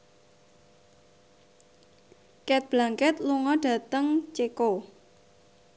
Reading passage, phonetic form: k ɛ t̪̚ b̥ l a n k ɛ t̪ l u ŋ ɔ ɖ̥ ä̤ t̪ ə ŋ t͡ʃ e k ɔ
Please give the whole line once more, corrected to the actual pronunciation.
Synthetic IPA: k ɛ t̪̚ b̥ l a ŋ k ɛ t̪ l u ŋ ɔ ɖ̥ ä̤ t̪ ə ŋ t͡ʃ e k o